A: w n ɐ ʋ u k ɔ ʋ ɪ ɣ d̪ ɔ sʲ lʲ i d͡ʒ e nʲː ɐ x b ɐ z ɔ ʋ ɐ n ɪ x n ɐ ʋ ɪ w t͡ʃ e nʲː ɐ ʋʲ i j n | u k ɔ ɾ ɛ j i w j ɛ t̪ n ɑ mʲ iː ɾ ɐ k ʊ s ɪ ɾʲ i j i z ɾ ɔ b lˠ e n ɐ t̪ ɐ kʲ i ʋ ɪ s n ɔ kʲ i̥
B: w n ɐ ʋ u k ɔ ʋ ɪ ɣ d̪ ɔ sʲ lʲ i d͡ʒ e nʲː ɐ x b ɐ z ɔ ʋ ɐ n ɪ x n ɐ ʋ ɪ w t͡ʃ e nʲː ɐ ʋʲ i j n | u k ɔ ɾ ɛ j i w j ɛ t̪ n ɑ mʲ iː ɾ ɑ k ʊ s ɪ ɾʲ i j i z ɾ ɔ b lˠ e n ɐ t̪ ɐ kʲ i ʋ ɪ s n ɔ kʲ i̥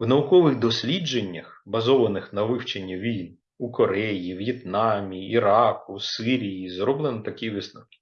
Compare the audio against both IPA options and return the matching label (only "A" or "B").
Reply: B